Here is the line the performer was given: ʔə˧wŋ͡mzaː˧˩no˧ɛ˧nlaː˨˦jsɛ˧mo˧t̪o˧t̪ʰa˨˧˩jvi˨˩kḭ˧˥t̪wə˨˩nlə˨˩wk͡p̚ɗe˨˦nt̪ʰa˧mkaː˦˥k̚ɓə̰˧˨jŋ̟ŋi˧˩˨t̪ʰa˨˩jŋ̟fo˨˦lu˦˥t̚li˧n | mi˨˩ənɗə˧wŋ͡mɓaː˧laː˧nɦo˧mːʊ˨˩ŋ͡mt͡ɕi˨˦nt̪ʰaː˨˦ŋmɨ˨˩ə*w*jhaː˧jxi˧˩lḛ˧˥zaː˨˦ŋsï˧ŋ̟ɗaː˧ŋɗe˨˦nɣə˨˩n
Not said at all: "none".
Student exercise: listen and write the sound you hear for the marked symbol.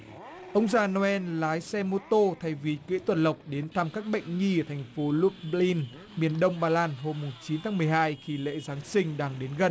none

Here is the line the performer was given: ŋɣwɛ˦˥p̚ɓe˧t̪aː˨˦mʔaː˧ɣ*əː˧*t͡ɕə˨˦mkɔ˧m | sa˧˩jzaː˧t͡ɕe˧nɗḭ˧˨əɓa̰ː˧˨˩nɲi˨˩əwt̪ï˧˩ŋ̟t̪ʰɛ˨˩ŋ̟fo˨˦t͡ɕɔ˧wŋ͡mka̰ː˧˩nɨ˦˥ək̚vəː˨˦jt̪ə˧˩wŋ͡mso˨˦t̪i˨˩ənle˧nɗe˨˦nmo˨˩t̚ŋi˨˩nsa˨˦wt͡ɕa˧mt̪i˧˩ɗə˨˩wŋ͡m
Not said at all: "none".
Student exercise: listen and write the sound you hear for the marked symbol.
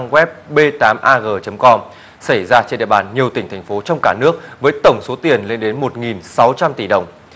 əː˨˩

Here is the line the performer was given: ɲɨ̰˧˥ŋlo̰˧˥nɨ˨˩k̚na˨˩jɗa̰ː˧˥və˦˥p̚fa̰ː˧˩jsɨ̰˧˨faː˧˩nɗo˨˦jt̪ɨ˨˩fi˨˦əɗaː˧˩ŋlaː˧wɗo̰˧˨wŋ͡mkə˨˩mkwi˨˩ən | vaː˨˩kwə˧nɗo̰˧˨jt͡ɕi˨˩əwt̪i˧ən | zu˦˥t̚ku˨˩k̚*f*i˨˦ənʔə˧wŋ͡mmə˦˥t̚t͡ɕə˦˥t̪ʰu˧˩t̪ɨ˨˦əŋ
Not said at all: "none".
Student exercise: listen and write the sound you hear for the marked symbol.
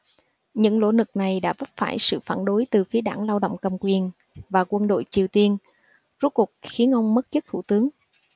x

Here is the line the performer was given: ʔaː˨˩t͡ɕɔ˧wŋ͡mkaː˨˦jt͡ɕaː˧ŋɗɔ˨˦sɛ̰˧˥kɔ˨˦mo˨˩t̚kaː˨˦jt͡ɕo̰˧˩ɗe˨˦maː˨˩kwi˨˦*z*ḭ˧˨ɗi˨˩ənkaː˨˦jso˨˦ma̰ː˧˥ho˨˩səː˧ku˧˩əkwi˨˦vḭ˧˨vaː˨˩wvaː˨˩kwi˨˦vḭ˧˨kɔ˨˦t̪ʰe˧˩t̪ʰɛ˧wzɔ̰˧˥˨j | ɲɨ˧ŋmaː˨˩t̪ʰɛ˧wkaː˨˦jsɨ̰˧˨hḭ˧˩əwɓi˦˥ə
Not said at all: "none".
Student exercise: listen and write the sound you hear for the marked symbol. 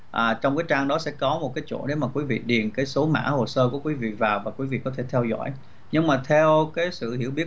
v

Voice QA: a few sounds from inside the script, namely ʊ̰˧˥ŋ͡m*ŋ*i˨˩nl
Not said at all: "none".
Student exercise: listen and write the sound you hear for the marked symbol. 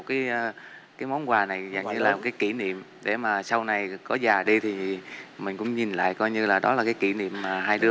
ɲ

